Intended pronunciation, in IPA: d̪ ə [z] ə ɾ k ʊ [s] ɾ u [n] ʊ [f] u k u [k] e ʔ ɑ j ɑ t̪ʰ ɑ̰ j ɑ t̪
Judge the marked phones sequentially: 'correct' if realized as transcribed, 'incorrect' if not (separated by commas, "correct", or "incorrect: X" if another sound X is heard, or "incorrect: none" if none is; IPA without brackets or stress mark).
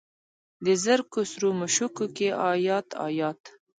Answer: correct, correct, incorrect: m, incorrect: ʃ, correct